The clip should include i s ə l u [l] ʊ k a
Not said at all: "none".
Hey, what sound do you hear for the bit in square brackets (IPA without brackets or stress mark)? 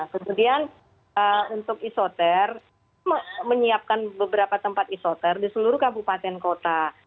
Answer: ɾ